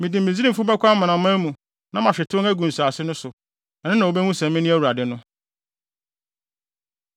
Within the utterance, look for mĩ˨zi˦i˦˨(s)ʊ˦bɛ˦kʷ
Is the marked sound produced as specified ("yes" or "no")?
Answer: no